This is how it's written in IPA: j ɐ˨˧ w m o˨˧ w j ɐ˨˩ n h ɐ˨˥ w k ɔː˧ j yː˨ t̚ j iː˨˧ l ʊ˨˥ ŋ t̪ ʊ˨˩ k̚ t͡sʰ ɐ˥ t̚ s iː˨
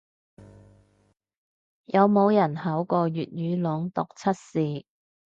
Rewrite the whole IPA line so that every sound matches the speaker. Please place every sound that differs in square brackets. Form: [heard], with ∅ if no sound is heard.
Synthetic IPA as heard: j ɐ˨˧ w m o˨˧ w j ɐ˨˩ n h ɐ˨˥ w k ɔː˧ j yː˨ t̚ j [yː˨˧] l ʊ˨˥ ŋ t̪ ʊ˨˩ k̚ t͡sʰ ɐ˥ t̚ s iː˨